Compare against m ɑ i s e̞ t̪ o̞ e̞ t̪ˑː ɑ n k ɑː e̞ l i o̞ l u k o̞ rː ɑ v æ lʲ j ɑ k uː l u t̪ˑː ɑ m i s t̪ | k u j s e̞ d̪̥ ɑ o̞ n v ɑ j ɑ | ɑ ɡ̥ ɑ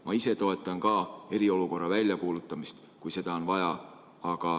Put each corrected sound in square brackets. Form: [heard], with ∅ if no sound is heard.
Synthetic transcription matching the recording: m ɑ i s e̞ t̪ o̞ e̞ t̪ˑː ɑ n k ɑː e̞ [ɾ] i o̞ l u k o̞ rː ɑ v æ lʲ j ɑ k uː l u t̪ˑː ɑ m i s t̪ | k u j s e̞ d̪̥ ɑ o̞ n v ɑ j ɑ | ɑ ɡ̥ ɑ